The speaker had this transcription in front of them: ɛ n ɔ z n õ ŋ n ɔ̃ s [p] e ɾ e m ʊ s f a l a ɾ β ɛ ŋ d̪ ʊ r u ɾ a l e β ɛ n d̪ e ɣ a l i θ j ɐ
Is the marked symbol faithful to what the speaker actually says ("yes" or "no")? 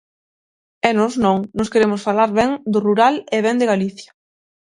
no